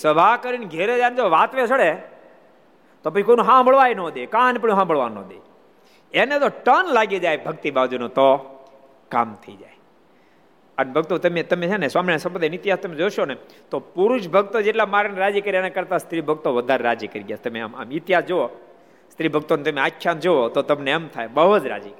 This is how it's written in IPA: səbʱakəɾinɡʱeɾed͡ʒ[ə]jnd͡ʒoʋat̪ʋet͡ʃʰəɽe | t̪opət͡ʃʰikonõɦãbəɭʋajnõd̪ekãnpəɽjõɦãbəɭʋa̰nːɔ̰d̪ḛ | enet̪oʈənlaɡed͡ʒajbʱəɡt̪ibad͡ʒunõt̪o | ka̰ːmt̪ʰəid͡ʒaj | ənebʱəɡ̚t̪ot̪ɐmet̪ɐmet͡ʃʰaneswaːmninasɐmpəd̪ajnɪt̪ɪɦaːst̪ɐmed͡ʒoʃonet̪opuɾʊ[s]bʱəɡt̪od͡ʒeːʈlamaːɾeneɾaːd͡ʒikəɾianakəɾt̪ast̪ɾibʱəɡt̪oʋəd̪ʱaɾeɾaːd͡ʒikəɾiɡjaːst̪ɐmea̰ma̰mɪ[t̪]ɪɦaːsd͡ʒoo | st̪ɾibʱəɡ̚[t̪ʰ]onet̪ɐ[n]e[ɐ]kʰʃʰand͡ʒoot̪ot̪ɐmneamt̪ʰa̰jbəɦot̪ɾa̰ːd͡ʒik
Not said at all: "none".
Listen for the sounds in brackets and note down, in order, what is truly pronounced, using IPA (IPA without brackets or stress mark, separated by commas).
a, ʃ, t̪, t̪, m, a